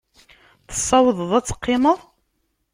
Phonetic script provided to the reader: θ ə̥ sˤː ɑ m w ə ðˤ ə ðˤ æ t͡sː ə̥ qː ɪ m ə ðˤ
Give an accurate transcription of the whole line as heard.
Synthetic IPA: θ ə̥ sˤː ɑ w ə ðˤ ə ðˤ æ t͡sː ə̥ qː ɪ m ə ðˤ

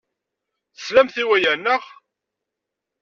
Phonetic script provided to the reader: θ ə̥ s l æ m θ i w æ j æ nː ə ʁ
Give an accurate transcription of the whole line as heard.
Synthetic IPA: θ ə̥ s l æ m θ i w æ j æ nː ə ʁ

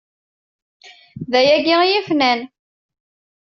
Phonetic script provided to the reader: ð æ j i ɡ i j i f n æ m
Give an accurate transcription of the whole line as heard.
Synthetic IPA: ð æ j æ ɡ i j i f n æ n

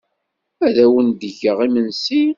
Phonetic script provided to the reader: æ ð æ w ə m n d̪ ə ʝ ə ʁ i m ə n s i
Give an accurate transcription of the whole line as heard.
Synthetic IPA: æ ð æ w ə n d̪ ə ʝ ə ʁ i m ə n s i

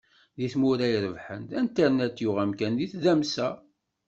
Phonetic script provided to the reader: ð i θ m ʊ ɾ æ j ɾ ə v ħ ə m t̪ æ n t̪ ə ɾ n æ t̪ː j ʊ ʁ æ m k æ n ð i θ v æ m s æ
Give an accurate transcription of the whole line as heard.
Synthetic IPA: ð i θ m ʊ ɾ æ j ɾ ə v ħ ə n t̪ æ n t̪ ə ɾ n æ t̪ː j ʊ ʁ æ m k æ n ð i θ ð æ m s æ

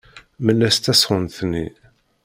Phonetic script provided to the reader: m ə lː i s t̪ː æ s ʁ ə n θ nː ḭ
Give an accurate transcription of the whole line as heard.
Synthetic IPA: m ə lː æ s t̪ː æ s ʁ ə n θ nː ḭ

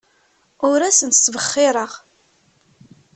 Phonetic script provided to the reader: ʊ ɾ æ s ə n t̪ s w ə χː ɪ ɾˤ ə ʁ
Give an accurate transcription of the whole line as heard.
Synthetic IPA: ʊ ɾ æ s ə n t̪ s v ə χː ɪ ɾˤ ə ʁ

